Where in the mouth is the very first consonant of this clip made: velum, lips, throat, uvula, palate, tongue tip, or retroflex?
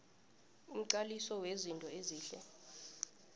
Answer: lips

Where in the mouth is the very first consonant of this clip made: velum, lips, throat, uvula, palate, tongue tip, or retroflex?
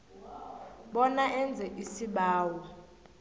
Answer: lips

